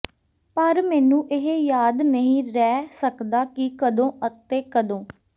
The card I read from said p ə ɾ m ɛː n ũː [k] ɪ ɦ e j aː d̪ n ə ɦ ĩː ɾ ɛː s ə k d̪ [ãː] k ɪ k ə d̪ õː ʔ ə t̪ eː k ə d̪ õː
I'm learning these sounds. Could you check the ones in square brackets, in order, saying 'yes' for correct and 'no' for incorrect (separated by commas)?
no, no